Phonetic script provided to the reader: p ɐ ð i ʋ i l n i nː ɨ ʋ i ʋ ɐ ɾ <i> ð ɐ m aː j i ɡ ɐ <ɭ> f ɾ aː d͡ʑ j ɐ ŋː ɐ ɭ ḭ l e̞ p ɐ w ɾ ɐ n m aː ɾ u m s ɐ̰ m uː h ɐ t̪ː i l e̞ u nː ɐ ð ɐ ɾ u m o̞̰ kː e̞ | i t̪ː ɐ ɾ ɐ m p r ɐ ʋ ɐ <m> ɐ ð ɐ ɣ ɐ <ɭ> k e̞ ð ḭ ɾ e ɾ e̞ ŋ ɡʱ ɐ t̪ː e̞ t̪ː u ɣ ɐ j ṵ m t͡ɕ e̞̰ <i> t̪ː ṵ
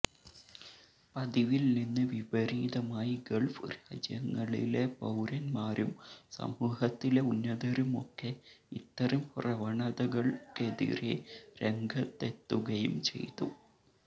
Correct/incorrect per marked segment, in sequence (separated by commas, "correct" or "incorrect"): incorrect, correct, incorrect, correct, incorrect